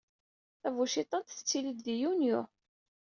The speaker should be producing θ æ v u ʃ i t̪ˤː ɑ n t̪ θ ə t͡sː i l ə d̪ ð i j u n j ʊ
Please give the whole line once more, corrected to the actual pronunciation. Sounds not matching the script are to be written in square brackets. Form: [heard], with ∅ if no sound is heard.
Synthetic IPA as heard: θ æ v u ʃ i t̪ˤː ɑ n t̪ θ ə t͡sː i l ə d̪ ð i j u n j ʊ